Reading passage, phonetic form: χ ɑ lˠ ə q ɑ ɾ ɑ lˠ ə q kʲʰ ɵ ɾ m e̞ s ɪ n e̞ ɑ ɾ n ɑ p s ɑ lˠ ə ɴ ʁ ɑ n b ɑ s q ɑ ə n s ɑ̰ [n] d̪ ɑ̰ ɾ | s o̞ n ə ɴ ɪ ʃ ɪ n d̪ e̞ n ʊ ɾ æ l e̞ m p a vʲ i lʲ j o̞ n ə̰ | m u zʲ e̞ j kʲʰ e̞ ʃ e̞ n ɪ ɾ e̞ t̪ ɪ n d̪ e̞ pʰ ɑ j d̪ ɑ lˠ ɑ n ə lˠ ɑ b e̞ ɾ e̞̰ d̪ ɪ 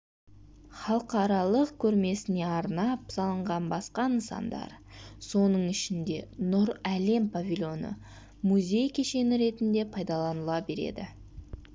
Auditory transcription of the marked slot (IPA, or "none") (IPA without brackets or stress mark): n